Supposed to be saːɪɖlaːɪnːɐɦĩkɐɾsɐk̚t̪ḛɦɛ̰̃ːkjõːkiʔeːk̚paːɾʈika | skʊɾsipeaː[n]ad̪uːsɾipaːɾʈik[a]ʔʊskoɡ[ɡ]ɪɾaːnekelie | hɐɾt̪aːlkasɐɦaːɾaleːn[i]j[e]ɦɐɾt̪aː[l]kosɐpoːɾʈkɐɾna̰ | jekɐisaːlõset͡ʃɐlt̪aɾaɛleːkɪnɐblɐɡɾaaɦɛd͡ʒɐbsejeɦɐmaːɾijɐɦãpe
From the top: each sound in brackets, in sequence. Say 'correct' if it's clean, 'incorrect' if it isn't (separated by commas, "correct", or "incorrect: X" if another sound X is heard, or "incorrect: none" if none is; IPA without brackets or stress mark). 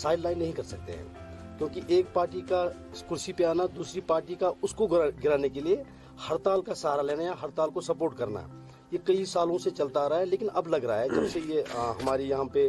correct, correct, correct, incorrect: a, incorrect: a, correct